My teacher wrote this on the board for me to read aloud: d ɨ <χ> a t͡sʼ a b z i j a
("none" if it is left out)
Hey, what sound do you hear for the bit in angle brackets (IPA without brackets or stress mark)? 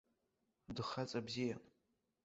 χ